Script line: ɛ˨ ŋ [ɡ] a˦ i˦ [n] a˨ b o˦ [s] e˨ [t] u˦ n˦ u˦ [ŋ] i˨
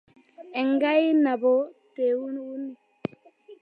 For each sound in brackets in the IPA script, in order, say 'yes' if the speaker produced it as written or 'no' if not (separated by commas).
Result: yes, yes, no, no, no